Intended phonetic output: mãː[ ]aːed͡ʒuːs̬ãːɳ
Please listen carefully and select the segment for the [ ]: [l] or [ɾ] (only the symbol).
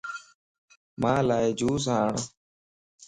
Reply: l